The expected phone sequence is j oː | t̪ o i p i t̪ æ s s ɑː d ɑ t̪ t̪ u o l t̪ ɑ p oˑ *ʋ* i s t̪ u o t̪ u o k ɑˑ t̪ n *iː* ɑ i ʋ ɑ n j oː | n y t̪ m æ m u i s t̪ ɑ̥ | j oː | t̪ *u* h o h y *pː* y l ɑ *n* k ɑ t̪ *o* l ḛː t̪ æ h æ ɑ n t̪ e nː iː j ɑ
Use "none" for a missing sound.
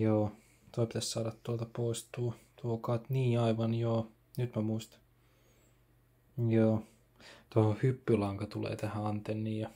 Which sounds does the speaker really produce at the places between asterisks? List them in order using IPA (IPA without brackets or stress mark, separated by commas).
none, iː, o, pː, ŋ, u